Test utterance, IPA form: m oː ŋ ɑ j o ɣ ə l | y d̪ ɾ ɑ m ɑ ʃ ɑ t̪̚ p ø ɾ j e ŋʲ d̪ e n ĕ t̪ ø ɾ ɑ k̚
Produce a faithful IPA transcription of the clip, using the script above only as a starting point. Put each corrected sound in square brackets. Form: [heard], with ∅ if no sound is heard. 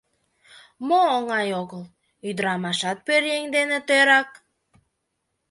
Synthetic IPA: m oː ŋ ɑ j o ɣ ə l | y d̪ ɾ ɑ m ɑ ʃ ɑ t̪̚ p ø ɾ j e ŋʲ d̪ e n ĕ t̪ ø ɾ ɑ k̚